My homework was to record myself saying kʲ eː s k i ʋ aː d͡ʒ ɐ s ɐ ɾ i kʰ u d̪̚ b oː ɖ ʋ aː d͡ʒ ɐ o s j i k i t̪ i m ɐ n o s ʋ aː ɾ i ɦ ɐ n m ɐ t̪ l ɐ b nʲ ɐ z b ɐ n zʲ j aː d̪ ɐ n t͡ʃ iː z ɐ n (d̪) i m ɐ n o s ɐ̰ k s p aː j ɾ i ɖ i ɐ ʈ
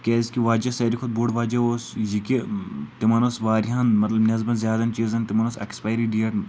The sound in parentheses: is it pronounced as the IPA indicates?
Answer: no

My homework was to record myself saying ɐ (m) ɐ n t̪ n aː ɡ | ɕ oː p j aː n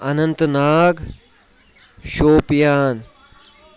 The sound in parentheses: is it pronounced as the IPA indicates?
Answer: no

